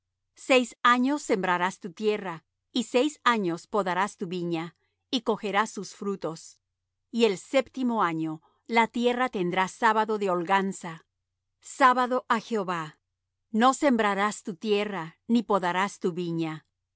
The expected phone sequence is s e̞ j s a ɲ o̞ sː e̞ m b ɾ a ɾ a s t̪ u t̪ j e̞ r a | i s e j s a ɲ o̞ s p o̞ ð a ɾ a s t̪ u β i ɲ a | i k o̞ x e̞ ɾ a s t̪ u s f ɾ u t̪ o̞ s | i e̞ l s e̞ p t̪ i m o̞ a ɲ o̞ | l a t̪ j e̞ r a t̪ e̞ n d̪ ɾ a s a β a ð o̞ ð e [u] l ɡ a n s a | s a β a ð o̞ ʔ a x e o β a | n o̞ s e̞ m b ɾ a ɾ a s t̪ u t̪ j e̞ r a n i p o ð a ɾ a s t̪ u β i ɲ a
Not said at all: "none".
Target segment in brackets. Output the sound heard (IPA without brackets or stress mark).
o